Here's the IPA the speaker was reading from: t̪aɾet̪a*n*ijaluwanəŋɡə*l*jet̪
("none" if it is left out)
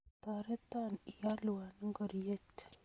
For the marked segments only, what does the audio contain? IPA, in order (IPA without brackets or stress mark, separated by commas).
n, ɾ